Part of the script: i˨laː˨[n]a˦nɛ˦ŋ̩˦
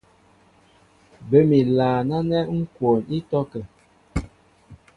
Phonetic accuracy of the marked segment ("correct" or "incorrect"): correct